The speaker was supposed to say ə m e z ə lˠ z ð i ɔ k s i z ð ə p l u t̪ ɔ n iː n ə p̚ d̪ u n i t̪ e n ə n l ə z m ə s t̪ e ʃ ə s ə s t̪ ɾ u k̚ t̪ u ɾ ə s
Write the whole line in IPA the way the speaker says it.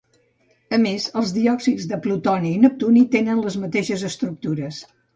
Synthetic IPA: ə m e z ə lˠ z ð i ɔ k s i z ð ə p l u t̪ ɔ n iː n ə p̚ t̪ u n i t̪ e n ə n l ə z m ə t̪ e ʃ ə z ə s t̪ ɾ u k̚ t̪ u ɾ ə s